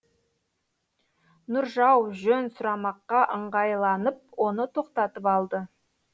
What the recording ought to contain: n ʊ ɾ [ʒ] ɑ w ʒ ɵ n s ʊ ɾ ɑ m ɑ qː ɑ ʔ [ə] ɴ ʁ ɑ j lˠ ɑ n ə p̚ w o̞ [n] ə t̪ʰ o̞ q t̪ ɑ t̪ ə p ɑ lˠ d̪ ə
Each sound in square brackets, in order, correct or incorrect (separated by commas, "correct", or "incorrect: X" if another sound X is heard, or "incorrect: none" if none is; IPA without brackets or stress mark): correct, correct, correct